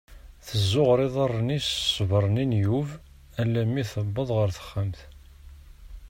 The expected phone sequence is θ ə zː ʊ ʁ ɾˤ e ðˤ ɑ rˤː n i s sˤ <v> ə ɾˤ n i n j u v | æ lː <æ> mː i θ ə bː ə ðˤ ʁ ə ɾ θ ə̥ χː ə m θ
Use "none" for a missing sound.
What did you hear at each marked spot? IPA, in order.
v, æ

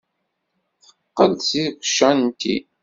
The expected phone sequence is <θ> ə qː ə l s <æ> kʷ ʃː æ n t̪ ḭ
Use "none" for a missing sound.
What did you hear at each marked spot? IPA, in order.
θ, i

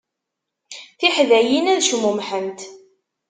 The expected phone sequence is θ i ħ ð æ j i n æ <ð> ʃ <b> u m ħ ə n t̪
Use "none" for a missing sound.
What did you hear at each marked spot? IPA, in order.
ð, m

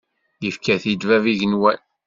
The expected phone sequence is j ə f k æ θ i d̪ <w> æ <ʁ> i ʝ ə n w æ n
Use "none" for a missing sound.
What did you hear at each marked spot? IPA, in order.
v, v

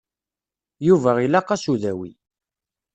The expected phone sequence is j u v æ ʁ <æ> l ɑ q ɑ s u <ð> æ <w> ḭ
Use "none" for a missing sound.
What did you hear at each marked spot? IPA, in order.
i, ð, w

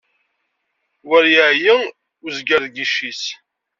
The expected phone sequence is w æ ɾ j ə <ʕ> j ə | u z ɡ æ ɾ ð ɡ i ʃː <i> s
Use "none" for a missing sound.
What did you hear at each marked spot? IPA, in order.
ʕ, i

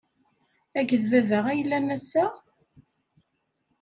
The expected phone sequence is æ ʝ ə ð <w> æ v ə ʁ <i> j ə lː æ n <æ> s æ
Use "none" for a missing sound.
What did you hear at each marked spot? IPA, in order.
v, æ, æ

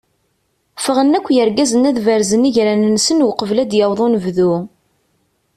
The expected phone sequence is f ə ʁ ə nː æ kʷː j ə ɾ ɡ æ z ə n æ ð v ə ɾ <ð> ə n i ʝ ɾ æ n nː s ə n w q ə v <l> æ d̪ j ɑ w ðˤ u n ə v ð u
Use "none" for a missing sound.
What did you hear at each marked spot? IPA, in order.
z, l

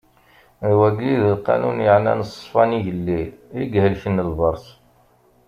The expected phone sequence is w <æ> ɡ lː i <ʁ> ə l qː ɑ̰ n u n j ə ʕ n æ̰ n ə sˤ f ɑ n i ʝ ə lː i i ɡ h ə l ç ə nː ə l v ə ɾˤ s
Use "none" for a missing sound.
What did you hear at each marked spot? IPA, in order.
æ, ð

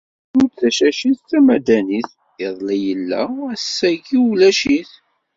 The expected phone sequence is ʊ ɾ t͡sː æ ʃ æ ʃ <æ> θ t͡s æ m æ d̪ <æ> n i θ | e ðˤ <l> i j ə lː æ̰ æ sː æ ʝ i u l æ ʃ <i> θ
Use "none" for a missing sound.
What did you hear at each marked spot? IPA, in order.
i, æ, l, i

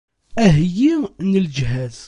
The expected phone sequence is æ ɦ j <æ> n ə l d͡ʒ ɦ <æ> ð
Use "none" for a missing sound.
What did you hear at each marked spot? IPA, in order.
i, æ

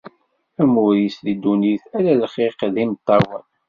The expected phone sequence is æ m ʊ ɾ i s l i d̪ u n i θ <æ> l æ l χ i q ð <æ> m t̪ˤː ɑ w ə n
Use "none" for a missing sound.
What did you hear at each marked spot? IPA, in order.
æ, i

